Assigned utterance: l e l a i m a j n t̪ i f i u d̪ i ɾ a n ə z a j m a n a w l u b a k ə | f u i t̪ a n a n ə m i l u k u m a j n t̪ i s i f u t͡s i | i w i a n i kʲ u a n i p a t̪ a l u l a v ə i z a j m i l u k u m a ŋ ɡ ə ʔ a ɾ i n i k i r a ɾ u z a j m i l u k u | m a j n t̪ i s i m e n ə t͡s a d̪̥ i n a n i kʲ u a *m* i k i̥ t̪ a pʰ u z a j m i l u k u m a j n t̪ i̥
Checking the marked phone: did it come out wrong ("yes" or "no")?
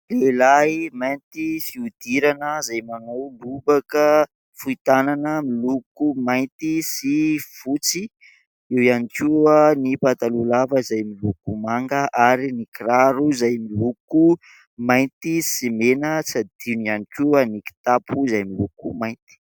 yes